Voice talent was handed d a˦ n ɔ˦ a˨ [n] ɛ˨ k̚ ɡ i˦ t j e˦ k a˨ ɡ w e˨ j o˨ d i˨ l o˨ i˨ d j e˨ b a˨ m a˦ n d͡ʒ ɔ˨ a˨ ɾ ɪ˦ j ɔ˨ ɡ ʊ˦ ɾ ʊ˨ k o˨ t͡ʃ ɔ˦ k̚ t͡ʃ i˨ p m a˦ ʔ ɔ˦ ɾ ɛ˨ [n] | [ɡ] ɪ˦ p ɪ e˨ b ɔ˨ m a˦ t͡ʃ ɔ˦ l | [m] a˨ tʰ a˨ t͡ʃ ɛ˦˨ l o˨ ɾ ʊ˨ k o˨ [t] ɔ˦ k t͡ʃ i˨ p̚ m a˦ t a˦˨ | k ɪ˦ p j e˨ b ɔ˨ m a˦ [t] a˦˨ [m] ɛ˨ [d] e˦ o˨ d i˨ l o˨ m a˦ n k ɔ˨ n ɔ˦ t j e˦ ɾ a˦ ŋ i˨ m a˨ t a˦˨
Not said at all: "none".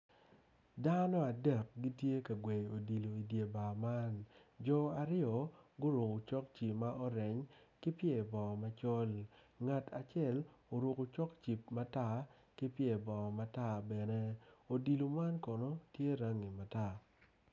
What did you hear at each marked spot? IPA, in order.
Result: d, ɲ, k, ŋ, t͡ʃ, t, b, n

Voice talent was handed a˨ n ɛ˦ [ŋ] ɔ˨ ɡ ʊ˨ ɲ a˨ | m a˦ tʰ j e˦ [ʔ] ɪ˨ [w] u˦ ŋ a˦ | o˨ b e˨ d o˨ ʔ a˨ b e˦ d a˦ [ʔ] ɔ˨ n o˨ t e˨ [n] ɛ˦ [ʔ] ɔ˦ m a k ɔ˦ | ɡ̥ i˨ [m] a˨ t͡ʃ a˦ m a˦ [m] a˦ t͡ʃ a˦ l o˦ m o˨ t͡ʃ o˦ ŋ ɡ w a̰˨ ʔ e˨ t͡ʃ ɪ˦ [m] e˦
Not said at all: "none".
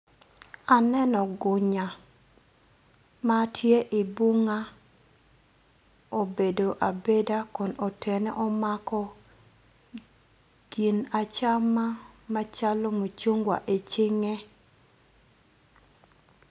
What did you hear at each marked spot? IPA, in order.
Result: n, ʔ, b, k, n, ʔ, n, m, ŋ

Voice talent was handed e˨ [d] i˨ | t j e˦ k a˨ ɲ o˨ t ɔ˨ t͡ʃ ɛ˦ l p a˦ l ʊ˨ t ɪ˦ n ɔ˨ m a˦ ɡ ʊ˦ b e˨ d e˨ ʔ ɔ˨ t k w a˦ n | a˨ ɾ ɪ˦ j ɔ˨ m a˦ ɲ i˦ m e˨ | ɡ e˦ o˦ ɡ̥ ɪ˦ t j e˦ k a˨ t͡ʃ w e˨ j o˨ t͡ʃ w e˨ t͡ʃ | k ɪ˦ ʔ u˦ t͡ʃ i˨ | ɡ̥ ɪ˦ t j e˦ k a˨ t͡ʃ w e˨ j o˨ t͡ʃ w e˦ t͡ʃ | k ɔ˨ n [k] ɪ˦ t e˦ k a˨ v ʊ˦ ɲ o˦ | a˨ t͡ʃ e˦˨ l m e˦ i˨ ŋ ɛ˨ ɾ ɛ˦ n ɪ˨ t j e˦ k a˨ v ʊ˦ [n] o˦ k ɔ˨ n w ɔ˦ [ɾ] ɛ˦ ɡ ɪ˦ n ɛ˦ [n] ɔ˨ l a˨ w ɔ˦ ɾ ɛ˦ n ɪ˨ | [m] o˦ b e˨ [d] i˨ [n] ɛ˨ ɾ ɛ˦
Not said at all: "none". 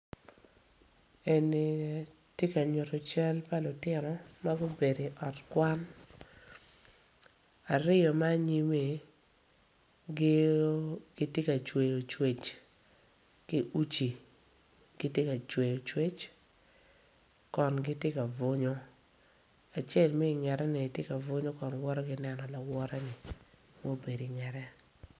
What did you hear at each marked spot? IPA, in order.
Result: n, ɡ, ɲ, ɾ, n, m, d, ŋ

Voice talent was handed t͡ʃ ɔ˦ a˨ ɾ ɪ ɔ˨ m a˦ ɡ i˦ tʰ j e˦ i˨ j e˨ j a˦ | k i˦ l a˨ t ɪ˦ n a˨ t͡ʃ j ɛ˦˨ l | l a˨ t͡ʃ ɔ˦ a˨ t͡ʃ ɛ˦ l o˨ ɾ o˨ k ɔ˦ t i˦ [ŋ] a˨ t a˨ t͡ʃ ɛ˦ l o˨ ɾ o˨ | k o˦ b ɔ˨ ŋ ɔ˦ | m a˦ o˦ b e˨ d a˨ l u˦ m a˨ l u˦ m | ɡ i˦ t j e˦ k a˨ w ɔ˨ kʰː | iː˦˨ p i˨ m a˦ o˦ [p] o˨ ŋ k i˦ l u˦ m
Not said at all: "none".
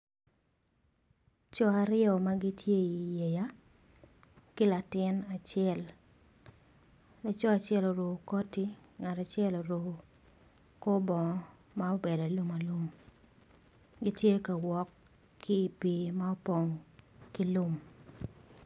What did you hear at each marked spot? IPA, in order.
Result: ŋ, p

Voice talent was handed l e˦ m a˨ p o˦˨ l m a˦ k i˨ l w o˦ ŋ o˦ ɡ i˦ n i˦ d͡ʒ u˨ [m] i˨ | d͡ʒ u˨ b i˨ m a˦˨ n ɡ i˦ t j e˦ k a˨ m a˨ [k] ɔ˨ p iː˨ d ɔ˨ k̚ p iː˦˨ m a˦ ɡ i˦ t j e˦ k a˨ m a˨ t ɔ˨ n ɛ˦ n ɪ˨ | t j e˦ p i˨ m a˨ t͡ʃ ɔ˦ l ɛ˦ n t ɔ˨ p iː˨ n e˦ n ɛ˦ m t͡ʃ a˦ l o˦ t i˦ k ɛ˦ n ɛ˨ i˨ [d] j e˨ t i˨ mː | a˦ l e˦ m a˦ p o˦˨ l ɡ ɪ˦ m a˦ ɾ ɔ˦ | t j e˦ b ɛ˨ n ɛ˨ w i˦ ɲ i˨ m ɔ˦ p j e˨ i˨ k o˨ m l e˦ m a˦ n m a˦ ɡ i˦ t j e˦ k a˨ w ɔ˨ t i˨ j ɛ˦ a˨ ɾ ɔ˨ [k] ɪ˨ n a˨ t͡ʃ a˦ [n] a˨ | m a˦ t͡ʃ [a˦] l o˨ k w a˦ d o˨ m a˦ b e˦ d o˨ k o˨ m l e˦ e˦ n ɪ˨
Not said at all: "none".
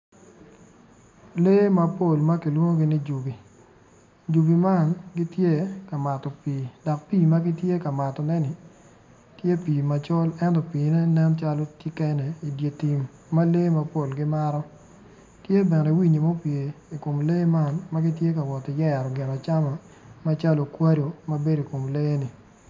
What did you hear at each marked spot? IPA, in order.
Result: b, t, d, ɡ, m, a˦

